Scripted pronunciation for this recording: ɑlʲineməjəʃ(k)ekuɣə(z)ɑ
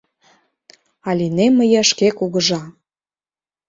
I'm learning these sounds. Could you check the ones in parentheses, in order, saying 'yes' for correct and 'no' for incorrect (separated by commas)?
yes, no